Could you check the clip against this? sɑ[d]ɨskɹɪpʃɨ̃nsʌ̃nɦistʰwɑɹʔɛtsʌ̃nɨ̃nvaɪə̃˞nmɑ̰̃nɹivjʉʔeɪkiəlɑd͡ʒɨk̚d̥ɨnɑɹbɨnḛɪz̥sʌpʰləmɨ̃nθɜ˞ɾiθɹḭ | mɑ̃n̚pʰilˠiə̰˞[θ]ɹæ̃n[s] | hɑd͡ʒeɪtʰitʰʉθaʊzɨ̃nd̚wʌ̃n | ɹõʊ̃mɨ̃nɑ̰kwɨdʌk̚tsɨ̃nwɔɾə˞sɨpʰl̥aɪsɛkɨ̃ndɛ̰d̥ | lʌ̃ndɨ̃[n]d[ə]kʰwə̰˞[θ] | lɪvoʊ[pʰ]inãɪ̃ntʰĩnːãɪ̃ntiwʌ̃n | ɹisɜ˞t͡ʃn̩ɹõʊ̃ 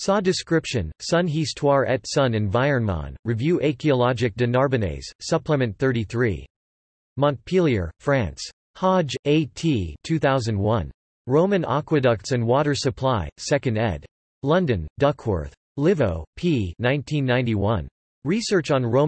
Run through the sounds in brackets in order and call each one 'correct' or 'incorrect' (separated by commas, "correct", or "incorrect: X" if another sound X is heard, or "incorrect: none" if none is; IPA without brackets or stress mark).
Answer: correct, incorrect: f, correct, correct, incorrect: ʌ, correct, correct